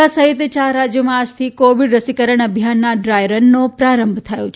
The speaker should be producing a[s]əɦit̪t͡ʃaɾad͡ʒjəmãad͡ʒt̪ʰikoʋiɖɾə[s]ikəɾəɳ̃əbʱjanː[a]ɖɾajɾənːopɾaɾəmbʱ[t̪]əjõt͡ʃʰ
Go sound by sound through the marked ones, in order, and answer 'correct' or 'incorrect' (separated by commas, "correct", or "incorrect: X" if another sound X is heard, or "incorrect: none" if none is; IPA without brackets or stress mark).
correct, correct, correct, incorrect: t̪ʰ